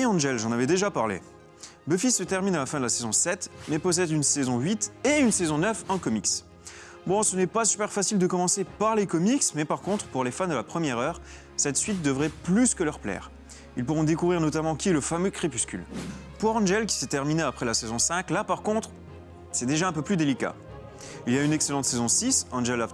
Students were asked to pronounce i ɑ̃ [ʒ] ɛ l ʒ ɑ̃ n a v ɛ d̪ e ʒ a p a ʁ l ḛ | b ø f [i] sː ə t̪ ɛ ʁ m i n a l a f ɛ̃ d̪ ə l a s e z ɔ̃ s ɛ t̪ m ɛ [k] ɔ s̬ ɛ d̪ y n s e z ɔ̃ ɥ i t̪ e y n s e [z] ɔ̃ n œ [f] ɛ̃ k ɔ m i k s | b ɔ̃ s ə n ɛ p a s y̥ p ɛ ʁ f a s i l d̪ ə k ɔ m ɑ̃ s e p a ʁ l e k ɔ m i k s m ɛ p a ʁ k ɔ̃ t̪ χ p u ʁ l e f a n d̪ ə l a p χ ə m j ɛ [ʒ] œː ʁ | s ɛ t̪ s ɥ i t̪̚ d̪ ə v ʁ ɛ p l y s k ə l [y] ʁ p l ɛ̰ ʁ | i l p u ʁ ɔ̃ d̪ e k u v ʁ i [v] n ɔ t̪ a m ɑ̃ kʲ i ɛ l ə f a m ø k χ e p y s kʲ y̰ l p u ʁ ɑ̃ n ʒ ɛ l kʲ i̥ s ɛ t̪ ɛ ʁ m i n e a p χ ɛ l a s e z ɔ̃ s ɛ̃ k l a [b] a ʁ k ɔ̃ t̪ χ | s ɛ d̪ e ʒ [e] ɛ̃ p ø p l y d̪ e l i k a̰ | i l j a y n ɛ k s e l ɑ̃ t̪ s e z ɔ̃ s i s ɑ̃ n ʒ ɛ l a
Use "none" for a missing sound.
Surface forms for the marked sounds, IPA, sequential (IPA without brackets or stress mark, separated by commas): ʒ, i, p, z, f, ʁ, œ, ʁ, p, a